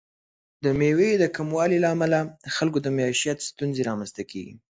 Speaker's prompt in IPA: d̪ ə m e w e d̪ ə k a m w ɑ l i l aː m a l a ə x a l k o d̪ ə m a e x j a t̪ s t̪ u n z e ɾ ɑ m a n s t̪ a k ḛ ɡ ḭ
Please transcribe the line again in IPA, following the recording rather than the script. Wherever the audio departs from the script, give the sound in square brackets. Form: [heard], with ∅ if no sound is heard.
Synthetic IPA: d̪ ə m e w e d̪ ə k a m w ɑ l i l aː m a l a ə x a l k o d̪ ə m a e [ʃ] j a t̪ s t̪ u n z e ɾ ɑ m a n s t̪ a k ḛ ɡ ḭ